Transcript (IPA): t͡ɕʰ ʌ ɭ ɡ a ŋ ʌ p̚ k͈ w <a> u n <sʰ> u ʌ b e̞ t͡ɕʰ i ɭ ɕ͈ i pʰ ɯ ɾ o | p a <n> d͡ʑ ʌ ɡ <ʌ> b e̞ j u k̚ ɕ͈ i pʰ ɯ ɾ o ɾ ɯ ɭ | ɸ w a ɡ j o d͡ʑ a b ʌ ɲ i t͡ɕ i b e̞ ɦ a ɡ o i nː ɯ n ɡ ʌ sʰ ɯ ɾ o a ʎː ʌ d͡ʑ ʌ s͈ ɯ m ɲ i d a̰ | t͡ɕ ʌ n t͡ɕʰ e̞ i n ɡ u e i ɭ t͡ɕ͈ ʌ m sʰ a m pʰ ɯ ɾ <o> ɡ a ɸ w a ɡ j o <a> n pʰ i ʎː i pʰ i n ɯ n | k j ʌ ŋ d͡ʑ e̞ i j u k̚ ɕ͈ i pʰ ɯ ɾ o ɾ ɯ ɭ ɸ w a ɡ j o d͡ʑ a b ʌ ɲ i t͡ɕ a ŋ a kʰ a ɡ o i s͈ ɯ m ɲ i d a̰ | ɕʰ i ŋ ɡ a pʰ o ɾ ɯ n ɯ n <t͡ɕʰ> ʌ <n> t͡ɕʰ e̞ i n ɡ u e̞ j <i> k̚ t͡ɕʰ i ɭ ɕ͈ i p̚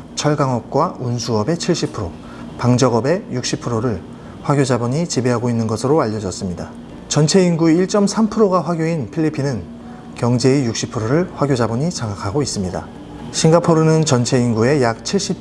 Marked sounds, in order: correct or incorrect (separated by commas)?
correct, correct, incorrect, correct, correct, incorrect, incorrect, correct, incorrect